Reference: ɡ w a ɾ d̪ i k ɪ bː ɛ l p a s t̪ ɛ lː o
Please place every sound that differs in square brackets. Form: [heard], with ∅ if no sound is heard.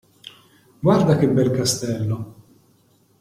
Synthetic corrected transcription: ɡ w a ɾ d̪ [a] k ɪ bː ɛ l [k] a s t̪ ɛ lː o

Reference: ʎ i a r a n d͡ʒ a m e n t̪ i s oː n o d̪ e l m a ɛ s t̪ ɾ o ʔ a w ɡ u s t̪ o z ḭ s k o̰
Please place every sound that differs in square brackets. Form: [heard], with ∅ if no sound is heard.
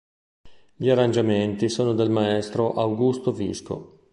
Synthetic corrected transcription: ʎ i a r a n d͡ʒ a m e n t̪ i s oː n o d̪ e l m a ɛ s t̪ ɾ o ʔ a w ɡ u s t̪ o [v] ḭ s k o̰

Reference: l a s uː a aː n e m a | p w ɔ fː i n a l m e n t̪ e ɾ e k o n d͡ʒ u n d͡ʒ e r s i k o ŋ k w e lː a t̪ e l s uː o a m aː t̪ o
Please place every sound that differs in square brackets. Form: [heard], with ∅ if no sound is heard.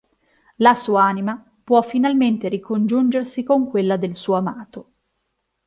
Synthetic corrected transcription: l a s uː a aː n [i] m a | p w ɔ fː i n a l m e n t̪ e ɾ [i] k o n d͡ʒ u n d͡ʒ e r s i k o ŋ k w e lː a [d̪] e l s uː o a m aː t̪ o

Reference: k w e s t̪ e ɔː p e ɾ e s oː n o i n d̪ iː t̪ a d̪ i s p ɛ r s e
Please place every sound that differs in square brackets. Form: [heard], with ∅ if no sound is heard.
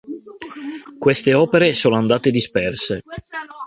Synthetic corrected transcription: k w e s t̪ e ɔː p e ɾ e s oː n o [a] n d̪ [aː] t̪ [e] d̪ i s p ɛ r s e

